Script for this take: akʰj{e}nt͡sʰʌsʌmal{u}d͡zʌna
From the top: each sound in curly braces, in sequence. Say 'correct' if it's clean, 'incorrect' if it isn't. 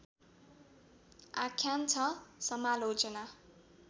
incorrect, incorrect

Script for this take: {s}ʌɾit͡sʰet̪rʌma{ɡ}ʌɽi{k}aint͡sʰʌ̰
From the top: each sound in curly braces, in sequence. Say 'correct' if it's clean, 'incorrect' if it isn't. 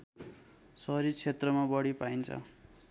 correct, incorrect, incorrect

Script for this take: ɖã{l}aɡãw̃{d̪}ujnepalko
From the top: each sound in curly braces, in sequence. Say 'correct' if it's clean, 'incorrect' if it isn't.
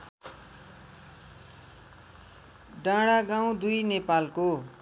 incorrect, correct

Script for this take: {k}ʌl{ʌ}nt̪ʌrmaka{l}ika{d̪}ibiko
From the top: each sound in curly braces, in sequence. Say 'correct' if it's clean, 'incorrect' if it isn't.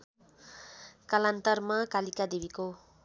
correct, incorrect, correct, correct

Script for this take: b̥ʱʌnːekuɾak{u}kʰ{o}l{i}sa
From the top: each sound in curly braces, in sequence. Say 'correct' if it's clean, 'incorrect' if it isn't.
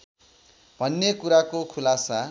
incorrect, incorrect, incorrect

